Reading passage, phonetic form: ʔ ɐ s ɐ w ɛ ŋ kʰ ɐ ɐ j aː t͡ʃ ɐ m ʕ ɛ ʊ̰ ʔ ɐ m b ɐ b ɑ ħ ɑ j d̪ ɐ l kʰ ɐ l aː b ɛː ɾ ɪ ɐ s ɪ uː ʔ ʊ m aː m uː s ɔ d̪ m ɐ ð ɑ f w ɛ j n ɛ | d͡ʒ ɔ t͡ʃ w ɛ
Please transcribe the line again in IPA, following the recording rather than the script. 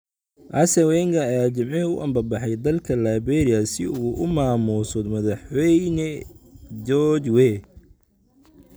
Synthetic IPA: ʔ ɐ s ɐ w ɛ ŋ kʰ ɐ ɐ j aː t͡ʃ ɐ m ʕ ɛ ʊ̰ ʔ ɐ m b ɐ b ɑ ħ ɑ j d̪ ɐ l kʰ ɐ l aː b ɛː ɾ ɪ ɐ s ɪ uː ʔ ʊ m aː m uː s ɔ d̪ m ɐ ð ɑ ħ w ɛ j n ɛ | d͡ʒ ɔ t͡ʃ w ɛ

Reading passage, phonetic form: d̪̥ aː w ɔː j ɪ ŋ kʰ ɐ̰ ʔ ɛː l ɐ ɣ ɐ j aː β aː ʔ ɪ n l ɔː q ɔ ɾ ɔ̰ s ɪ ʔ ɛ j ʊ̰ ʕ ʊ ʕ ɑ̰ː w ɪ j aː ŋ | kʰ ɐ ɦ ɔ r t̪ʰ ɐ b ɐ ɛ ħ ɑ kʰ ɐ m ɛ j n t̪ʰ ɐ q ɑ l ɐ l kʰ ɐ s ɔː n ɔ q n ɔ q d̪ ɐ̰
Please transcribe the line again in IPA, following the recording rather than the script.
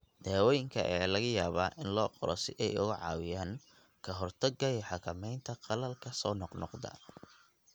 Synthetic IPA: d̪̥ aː w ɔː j ɪ ŋ kʰ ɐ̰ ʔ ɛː l ɐ ɣ ɐ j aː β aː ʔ ɪ n l ɔː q ɔ ɾ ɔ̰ s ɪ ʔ ɛ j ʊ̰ ɣ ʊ ʕ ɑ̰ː w ɪ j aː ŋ | kʰ ɐ ɦ ɔ r t̪ʰ ɐ ɡ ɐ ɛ ħ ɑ kʰ ɐ m ɛ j n t̪ʰ ɐ q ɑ l ɐ l kʰ ɐ s ɔː n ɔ q n ɔ q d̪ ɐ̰

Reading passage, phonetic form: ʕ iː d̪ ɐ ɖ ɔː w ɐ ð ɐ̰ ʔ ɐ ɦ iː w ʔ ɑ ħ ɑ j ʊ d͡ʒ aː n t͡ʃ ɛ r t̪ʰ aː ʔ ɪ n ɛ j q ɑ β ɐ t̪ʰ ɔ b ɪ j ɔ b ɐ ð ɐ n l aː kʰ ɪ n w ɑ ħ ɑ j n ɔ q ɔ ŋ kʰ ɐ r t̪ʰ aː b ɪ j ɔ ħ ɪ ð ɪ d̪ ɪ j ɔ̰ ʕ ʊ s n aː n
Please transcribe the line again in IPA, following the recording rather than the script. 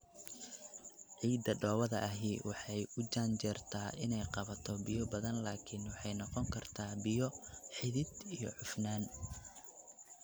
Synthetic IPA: ʕ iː d̪ ɐ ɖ ɔː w ɐ ð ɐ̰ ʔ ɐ ɦ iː w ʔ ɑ ħ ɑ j ʊ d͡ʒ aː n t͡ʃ ɛ r t̪ʰ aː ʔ ɪ n ɛ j q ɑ β ɐ t̪ʰ ɔ b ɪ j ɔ b ɐ ð ɐ n l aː kʰ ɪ n w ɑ ħ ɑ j n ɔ q ɔ ŋ kʰ ɐ r t̪ʰ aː b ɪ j ɔ ħ ɪ ð ɪ d̪ i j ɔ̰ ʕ ʊ f n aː n

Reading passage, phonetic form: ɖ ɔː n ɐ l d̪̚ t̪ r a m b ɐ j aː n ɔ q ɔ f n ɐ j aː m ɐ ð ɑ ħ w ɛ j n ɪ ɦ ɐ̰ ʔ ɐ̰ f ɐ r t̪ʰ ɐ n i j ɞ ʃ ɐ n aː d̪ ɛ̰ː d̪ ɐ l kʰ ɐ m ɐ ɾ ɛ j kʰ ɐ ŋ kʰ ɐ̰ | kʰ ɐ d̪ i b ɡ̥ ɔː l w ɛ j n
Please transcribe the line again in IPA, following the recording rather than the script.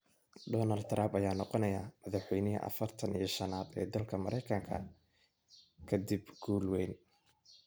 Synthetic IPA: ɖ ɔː n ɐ l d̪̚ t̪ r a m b ɐ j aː n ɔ q ɔ n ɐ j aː m ɐ ð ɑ ħ w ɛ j n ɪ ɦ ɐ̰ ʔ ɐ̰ f ɐ r t̪ʰ ɐ n i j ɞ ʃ ɐ n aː d̪ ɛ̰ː d̪ ɐ l kʰ ɐ m ɐ ɾ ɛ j kʰ ɐ ŋ kʰ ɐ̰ | kʰ ɐ d̪ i b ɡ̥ uː l w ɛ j n

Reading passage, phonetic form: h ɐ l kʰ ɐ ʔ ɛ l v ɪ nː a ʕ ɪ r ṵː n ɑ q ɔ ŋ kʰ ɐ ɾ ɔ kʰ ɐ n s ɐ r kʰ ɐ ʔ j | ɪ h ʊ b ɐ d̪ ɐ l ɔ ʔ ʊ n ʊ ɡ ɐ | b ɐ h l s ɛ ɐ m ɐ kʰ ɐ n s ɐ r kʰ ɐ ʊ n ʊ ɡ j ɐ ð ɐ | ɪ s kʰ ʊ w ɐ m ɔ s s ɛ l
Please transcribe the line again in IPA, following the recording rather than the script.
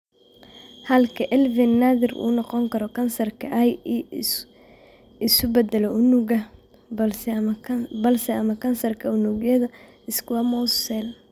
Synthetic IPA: h ɐ l kʰ ɐ ʔ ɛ l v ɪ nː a ð ɪ r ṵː n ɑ q ɔ ŋ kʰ ɐ ɾ ɔ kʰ ɐ n s ɐ r kʰ ɐ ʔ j | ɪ s ʊ b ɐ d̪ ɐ l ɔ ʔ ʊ n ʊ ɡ ɐ | b ɐ l s ɛ ɐ m ɐ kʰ ɐ n s ɐ r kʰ ɐ ʊ n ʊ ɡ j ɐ ð ɐ | ɪ s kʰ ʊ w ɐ m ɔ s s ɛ l

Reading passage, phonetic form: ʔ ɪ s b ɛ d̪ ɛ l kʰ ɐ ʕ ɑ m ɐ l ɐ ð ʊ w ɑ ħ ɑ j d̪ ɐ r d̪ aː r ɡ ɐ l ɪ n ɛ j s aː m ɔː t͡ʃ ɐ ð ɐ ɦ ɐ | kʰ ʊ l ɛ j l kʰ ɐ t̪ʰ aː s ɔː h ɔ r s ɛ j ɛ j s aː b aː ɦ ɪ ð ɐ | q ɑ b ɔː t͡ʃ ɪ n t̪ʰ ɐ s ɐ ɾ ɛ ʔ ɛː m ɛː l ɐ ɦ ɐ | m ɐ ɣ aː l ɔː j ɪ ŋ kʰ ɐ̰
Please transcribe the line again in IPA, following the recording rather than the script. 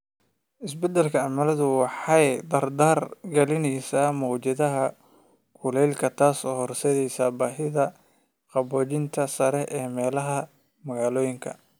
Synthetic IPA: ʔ ɪ s b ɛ d̪ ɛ l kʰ ɐ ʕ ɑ m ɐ l ɐ ð ʊ w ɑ ħ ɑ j d̪ ɐ r d̪ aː r ɡ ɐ l ɪ n ɛ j s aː m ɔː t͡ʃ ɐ ð ɐ ɦ ɐ | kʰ ʊ l ɛ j l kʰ ɐ t̪ʰ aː s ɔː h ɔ r s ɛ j ɛ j s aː b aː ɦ ɪ ð ɐ | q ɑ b ɔː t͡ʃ ɪ n t̪ʰ ɐ s ɐ ɾ ɛ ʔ ɛː m ɛː l ɐ ɦ ɐ | m ɐ ɣ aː l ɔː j ɪ ŋ kʰ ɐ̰

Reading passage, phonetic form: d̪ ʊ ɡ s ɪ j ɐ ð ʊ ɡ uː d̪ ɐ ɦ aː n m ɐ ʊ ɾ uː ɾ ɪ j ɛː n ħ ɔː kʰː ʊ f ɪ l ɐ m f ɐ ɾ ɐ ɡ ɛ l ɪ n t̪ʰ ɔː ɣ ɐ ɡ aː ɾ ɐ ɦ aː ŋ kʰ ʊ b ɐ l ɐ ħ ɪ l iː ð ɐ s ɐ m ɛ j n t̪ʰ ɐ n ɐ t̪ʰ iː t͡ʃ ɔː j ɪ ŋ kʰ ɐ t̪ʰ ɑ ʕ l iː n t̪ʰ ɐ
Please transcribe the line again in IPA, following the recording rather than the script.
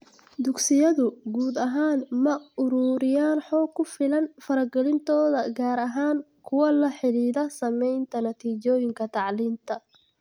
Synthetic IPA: d̪ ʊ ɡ s ɪ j ɐ ð ʊ ɡ uː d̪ ɐ ɦ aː n m ɐ ʊ ɾ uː ɾ ɪ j aː n ħ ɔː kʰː ʊ f ɪ l ɐ n f ɐ ɾ ɐ ɡ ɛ l ɪ n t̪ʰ ɔː ð ɐ ɡ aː ɾ ɐ ɦ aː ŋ kʰ ʊ w ɐ l ɐ ħ ɪ l iː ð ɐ s ɐ m ɛ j n t̪ʰ ɐ n ɐ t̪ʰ iː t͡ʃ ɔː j ɪ ŋ kʰ ɐ t̪ʰ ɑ ʕ l iː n t̪ʰ ɐ

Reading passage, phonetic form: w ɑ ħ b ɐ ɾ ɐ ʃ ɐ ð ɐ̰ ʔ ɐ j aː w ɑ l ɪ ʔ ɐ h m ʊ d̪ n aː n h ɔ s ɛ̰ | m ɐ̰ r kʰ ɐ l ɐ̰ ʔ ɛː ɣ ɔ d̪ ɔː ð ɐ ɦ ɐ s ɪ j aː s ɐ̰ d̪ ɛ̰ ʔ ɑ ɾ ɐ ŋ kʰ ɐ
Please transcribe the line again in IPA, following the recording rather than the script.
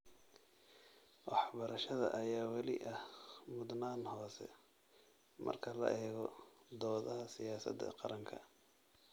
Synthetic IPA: w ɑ ħ b ɐ ɾ ɐ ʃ ɐ ð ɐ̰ ʔ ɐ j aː w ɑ l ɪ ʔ ɐ h m ʊ d̪ n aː n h ɔː s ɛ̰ | m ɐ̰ r kʰ ɐ l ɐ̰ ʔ ɛː ɣ ɔ d̪ ɔː ð ɐ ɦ ɐ s ɪ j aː s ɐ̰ d̪ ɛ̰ q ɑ ɾ ɐ ŋ kʰ ɐ

